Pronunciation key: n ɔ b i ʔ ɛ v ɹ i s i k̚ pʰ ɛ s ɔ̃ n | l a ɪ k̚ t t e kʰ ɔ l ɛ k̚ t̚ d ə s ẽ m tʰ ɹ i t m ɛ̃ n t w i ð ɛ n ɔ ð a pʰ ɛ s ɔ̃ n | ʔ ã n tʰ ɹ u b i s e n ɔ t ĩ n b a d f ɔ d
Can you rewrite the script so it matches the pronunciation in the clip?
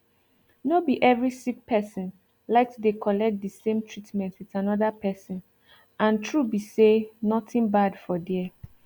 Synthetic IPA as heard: n o b i ʔ ɛ v ɹ i s i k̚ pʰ ɛ s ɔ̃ n | l a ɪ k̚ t d e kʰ ɔ l ɛ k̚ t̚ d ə s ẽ m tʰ ɹ i t m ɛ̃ n t w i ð a n ɔ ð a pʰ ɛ s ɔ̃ n | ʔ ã n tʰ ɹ u b i s e n ɔ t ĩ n b a d f ɔ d